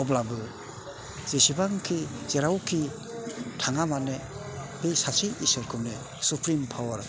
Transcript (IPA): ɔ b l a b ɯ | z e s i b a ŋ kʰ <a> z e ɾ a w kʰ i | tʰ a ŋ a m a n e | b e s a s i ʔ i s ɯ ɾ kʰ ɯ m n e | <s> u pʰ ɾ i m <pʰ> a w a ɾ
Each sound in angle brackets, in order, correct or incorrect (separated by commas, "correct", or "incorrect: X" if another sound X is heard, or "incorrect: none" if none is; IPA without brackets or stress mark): incorrect: i, correct, correct